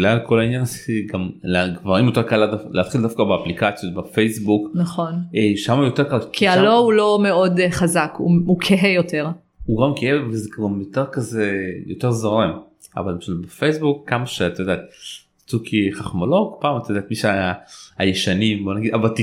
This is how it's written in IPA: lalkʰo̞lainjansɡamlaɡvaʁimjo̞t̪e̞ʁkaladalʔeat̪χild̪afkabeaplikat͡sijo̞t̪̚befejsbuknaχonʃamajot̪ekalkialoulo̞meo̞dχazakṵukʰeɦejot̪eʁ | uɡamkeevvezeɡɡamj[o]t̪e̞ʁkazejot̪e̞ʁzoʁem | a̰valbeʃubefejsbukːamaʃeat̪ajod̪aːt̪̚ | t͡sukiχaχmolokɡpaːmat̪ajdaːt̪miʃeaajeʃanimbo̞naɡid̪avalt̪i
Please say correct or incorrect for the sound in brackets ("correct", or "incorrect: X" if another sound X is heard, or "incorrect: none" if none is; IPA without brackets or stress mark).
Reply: correct